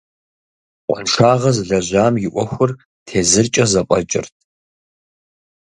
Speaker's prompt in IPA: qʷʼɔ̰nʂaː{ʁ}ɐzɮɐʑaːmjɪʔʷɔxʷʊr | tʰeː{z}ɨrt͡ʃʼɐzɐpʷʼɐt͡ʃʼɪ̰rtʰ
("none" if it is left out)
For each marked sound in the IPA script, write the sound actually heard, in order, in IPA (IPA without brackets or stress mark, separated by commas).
ʁ, z